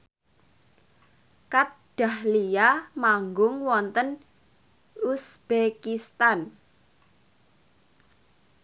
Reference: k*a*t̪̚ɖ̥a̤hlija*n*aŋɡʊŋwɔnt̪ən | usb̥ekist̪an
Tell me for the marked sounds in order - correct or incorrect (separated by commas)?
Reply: correct, incorrect